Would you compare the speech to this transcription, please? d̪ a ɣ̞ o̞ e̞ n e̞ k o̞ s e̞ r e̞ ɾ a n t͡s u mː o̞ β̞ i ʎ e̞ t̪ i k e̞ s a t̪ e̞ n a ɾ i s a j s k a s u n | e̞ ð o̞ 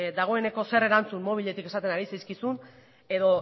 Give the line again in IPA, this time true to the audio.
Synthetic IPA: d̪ a ɣ̞ o̞ e̞ n e̞ k o̞ s e̞ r e̞ ɾ a n t͡s u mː o̞ β̞ i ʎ e̞ t̪ i k e̞ s a t̪ e̞ n a ɾ i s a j s k i s u n | e̞ ð o̞